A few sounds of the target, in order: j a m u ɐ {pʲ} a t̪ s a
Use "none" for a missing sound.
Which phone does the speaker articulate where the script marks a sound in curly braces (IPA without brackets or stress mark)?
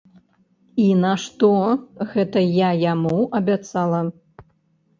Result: bʲ